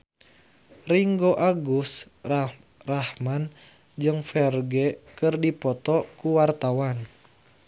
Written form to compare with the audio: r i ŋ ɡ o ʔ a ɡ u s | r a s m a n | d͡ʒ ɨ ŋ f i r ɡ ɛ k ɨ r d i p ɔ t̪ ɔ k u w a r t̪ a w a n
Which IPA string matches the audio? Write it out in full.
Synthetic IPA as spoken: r i ŋ ɡ o ʔ a ɡ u s | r a h m a n | d͡ʒ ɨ ŋ f ɛ r ɡ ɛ k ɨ r d i p ɔ t̪ ɔ k u w a r t̪ a w a n

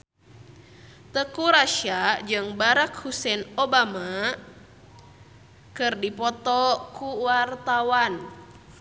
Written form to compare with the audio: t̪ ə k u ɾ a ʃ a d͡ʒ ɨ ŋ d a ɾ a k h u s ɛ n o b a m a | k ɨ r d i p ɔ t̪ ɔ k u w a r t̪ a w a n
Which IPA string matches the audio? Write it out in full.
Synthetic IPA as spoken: t̪ ə k u ɾ a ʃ a d͡ʒ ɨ ŋ b a ɾ a k h u s ɛ n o b a m a | k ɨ r d i p ɔ t̪ ɔ k u w a r t̪ a w a n

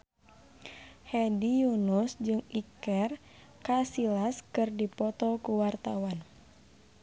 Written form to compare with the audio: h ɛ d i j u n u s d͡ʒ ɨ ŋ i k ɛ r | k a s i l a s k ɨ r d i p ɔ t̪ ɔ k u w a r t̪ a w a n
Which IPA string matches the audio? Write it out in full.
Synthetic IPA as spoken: h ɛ d i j u n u s d͡ʒ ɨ ŋ i k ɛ r | k a s i l a s k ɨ r d i p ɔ t̪ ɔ k u w a r t̪ a w a n

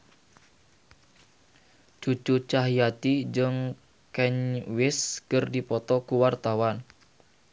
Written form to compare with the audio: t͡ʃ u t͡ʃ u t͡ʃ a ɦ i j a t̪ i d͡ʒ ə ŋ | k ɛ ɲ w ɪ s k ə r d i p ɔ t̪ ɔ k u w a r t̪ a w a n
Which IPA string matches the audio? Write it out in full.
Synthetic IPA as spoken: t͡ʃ u t͡ʃ u t͡ʃ a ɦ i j a t̪ i d͡ʒ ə ŋ | k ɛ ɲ w ɪ s k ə r d i p ɔ t̪ ɔ k u w a r t̪ a w a n

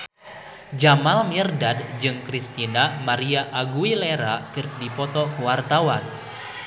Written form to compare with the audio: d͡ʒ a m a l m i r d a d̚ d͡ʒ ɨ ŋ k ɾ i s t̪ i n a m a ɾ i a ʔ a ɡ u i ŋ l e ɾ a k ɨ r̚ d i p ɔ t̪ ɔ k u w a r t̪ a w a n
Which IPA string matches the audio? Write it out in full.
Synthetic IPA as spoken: d͡ʒ a m a l m i r d a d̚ d͡ʒ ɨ ŋ k ɾ i s t̪ i n a m a ɾ i a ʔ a ɡ u i l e ɾ a k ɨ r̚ d i p ɔ t̪ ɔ k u w a r t̪ a w a n

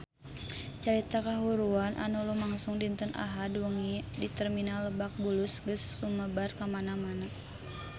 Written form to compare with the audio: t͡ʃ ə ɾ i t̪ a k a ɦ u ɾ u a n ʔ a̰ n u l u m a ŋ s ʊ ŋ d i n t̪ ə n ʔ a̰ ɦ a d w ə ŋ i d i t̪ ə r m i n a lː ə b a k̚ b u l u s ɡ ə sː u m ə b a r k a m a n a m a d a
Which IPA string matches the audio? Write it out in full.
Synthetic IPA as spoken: t͡ʃ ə ɾ i t̪ a k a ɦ u ɾ u a n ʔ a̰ n u l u m a ŋ s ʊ ŋ d i n t̪ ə n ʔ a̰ ɦ a d w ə ŋ i d i t̪ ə r m i n a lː ə b a k̚ b u l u s ɡ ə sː u m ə b a r k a m a n a m a n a

